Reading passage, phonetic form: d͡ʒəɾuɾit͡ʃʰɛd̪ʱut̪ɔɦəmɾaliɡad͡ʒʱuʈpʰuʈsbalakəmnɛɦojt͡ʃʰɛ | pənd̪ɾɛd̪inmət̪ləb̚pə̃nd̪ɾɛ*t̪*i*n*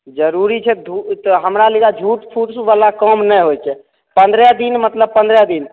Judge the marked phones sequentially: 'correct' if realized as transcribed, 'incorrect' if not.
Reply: incorrect, correct

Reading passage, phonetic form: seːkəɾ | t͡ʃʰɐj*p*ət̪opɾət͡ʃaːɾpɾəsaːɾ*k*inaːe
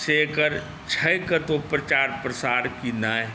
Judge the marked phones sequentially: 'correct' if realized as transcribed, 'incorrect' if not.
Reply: incorrect, correct

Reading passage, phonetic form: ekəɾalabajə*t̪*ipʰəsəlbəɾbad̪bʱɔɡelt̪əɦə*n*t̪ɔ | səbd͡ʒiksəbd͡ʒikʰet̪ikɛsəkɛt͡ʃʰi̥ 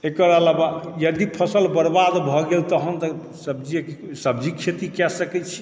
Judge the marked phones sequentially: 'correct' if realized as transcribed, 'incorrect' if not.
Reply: incorrect, correct

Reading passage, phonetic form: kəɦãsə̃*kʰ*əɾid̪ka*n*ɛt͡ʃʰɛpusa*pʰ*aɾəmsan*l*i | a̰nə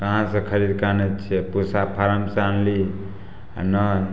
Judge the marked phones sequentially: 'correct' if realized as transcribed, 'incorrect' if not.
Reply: correct, correct, correct, correct

